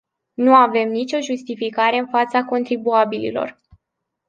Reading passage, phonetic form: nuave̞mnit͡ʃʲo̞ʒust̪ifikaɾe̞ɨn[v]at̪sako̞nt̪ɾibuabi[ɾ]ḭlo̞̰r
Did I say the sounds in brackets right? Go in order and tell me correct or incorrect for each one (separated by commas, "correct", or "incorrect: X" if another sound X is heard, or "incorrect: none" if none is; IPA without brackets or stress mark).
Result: incorrect: f, incorrect: l